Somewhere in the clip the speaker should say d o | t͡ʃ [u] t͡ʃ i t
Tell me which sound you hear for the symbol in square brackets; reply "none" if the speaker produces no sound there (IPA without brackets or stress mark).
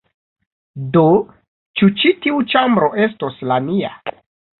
u